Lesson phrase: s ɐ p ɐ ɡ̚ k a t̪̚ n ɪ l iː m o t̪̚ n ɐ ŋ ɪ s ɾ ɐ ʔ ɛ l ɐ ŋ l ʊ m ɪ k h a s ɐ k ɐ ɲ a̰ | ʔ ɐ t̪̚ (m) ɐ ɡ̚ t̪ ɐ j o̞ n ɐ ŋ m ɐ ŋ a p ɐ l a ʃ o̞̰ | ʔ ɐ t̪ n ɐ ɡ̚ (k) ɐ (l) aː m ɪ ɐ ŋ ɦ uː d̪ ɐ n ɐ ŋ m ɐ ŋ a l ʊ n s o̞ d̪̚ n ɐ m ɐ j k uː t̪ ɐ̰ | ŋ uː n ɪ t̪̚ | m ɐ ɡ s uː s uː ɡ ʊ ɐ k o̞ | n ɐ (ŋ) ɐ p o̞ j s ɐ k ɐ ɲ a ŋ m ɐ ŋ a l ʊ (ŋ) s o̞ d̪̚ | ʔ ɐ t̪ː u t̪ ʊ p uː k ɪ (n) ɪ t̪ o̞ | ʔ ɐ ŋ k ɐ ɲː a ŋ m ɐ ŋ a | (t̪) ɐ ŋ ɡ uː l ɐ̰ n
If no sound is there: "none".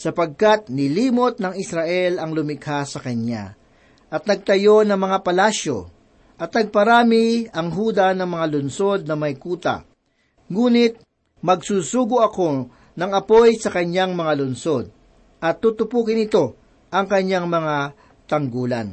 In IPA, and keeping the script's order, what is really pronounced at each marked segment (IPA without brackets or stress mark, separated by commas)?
n, p, ɾ, ŋ, n, n, t̪